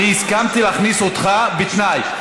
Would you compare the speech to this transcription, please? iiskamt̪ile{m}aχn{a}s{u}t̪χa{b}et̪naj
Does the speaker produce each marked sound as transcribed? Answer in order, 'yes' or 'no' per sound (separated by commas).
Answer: no, no, no, yes